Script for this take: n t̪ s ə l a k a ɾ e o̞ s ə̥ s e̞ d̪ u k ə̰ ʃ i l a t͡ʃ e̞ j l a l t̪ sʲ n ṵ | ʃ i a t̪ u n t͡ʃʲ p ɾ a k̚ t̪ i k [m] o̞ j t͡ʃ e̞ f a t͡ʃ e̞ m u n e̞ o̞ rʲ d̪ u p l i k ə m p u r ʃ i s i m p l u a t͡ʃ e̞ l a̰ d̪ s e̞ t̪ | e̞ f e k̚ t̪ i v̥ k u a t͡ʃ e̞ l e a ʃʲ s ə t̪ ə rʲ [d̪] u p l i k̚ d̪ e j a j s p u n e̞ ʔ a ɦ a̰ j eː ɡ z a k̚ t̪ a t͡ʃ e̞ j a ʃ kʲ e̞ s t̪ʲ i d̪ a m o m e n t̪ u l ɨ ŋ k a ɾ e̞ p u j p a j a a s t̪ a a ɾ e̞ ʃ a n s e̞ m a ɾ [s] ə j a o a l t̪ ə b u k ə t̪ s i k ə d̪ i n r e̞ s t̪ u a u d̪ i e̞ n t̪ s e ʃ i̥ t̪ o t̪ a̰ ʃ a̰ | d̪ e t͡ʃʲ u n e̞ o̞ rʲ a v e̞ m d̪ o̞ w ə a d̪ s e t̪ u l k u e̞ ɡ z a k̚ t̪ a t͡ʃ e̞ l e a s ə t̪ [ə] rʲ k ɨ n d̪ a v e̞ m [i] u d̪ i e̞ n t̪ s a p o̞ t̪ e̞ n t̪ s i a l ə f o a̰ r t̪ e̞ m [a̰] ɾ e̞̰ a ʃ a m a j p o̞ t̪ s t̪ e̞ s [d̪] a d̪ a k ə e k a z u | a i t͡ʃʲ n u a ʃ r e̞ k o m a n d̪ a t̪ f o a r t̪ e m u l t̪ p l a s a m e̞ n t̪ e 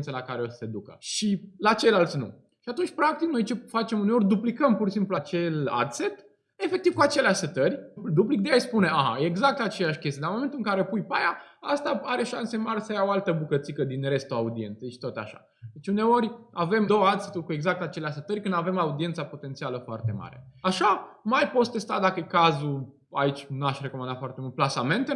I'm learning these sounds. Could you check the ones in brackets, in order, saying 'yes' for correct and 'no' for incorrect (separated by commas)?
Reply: no, yes, yes, yes, no, yes, no